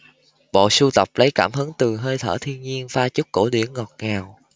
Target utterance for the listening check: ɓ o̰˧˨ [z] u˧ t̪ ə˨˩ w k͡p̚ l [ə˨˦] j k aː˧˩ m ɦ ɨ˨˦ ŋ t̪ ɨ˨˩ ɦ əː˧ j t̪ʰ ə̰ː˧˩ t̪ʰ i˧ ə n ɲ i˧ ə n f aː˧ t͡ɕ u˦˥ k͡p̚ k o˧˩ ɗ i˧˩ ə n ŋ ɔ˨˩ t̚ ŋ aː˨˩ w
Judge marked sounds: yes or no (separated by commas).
no, yes